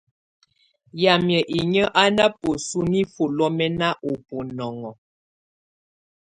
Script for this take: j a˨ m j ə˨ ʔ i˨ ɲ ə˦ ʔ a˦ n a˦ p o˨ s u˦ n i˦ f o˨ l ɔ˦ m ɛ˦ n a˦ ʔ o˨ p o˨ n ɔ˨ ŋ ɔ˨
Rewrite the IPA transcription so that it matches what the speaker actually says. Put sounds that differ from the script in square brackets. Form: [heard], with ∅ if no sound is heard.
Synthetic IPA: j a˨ m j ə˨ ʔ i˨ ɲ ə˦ ʔ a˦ n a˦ p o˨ s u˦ n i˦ f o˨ l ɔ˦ m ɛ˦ n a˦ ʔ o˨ p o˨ n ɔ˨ ŋ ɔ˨

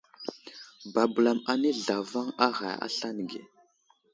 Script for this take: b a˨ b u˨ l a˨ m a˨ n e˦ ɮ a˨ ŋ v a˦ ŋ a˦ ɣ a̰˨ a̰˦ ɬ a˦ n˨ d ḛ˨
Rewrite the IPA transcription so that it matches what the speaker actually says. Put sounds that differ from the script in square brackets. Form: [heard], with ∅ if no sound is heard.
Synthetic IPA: b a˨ b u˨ l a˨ m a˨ n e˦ ɮ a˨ [∅] v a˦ ŋ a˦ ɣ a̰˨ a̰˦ ɬ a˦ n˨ [ɡ] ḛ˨

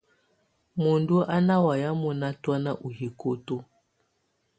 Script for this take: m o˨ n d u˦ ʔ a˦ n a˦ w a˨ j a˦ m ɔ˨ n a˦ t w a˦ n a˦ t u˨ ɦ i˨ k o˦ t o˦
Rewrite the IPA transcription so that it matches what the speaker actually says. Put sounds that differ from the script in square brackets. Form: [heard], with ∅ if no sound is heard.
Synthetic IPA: m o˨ n d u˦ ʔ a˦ n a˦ w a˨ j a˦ m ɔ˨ n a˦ t w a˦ n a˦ [ʔ] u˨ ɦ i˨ k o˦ t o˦

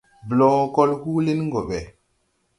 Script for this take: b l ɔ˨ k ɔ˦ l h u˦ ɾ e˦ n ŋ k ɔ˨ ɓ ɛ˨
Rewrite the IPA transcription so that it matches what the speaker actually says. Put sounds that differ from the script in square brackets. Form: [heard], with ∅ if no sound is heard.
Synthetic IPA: b l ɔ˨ k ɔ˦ l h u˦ [l] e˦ n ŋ [ɡ] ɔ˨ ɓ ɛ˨

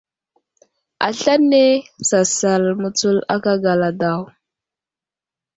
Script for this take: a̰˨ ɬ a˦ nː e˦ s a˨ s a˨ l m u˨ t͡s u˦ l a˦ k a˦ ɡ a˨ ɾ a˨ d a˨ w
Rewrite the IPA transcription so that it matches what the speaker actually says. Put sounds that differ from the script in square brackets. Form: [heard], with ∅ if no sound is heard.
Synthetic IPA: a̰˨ ɬ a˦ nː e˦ s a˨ s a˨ l m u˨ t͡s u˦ l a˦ k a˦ ɡ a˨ [l] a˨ d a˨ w

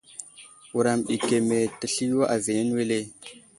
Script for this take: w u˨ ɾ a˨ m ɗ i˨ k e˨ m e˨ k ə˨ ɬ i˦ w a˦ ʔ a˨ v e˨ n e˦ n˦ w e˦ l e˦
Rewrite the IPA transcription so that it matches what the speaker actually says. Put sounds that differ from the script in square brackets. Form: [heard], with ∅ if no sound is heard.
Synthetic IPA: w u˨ ɾ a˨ m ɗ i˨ k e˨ m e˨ [t] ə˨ ɬ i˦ w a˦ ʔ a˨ v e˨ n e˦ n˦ w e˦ l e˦

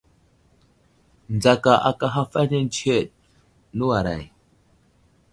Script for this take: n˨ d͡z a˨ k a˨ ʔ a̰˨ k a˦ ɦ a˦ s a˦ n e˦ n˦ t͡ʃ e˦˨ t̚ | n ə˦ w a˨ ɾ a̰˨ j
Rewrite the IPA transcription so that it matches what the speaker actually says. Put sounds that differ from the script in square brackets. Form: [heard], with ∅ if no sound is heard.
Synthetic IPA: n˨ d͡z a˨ k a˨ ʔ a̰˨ k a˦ ɦ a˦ [f] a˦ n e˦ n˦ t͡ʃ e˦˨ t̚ | n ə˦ w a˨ ɾ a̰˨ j

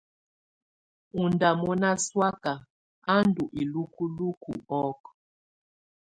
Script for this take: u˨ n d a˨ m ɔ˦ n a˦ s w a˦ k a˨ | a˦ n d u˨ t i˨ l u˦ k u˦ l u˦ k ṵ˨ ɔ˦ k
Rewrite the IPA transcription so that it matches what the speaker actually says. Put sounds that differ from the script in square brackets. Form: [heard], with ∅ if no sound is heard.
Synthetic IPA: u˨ n d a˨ m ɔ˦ n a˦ s w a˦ k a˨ | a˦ n d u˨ [ʔ] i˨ l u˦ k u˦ l u˦ k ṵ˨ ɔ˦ k

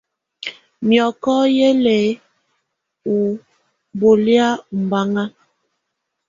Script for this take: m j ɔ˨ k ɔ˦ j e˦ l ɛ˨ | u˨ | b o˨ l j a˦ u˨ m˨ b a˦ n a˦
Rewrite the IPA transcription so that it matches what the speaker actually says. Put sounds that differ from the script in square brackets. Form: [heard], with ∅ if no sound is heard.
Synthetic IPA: m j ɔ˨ k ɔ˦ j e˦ l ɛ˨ | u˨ | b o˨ l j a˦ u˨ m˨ b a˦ [ŋ] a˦

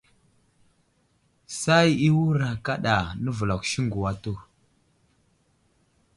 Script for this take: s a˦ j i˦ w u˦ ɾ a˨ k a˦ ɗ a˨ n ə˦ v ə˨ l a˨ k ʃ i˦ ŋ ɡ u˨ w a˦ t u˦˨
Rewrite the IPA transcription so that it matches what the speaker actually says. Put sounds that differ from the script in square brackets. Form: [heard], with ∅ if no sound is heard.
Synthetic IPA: s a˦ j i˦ w u˦ ɾ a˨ k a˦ ɗ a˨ n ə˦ v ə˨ l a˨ k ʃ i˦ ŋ ɡ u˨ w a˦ t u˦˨

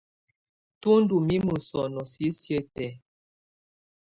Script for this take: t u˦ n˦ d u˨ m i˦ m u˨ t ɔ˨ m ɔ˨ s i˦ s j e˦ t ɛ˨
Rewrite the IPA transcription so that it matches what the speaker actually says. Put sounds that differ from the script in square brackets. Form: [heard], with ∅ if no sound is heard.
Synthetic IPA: t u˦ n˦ d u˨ m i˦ m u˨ [s] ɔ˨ [n] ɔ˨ s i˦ s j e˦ t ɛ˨

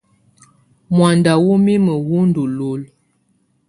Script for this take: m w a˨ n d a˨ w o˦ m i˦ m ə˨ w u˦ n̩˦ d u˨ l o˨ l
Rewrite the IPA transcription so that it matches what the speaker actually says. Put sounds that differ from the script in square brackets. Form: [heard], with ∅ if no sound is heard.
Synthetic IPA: m w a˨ n d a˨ w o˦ m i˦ m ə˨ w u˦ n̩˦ d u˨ l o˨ l

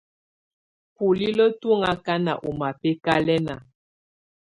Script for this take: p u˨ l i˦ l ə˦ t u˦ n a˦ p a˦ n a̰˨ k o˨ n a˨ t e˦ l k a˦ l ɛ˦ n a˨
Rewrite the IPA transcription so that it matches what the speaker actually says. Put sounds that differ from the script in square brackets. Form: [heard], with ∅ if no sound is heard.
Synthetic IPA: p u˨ l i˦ l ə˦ t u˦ [ŋ] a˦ [k] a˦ n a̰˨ [ʔ] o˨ [m] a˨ [p] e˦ [∅] k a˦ l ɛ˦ n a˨

